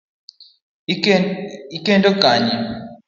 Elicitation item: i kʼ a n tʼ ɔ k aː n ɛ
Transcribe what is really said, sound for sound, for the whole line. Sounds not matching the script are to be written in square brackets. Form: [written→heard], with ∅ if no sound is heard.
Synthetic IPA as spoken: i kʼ [a→ɛ] n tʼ ɔ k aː [n→ɲ] ɛ